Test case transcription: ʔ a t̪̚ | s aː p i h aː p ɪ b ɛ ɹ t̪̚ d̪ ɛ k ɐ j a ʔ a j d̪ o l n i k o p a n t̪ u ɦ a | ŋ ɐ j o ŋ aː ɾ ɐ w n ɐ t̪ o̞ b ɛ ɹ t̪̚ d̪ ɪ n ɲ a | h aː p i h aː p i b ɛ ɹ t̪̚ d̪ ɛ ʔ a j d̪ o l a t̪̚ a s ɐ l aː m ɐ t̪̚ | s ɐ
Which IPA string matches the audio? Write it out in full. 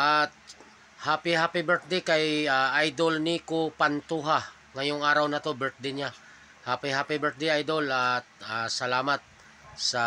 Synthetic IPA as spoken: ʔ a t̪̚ | h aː p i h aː p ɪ b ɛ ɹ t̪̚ d̪ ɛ k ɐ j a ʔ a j d̪ o l n i k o p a n t̪ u ɦ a | ŋ ɐ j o ŋ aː ɾ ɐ w n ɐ t̪ o̞ b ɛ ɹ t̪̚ d̪ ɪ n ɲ a | h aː p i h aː p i b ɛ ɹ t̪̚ d̪ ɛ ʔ a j d̪ o l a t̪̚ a s ɐ l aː m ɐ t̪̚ | s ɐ